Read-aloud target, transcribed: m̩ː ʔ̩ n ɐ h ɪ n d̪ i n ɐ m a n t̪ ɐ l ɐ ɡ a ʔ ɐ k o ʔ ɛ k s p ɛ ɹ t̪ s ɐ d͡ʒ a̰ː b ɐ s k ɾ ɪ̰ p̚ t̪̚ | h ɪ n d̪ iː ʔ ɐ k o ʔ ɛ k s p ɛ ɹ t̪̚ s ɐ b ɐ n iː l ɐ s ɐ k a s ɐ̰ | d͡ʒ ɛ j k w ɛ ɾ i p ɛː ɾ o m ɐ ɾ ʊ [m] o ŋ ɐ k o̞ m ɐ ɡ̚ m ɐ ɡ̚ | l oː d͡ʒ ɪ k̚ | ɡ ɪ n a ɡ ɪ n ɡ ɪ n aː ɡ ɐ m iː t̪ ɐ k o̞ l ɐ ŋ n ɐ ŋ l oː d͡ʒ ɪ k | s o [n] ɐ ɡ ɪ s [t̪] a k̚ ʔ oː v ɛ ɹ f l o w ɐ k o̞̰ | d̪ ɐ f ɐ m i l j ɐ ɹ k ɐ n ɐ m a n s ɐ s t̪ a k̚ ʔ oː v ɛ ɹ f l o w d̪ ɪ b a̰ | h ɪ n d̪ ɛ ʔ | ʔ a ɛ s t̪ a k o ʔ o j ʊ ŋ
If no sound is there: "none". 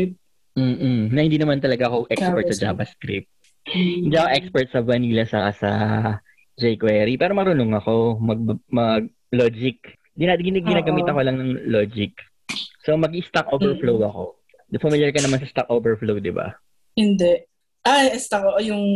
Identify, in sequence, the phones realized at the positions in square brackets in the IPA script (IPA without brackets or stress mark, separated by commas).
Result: n, m, t̪